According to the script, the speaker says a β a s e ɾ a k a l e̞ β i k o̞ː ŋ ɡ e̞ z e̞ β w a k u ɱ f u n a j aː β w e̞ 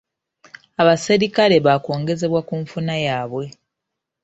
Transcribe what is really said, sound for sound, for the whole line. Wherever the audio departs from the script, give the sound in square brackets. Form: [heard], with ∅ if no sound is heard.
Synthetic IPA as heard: a β a s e ɾ [i] k a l e̞ β [a] k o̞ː ŋ ɡ e̞ z e̞ β w a k u ɱ f u n a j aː β w e̞